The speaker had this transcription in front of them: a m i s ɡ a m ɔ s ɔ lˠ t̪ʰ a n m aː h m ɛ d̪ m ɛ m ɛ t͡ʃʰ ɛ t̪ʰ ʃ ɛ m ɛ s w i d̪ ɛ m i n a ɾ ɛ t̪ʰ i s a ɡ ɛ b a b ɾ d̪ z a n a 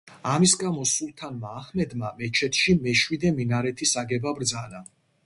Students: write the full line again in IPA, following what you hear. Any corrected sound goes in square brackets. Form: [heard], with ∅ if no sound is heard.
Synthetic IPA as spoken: a m i s ɡ a m ɔ s [u] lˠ t̪ʰ a n m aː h m ɛ d̪ m [a] m ɛ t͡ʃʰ ɛ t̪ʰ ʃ [i] m ɛ [ʃ] w i d̪ ɛ m i n a ɾ ɛ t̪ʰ i s a ɡ ɛ b a b ɾ d̪ z a n a